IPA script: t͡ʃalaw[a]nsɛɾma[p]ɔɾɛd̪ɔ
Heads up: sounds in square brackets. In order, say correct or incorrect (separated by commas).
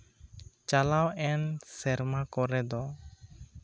incorrect, incorrect